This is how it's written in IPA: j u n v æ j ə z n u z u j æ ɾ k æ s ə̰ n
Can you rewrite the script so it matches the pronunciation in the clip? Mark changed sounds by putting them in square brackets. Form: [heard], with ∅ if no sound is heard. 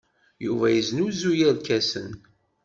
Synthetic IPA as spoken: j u [∅] v æ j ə z n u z u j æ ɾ k æ s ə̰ n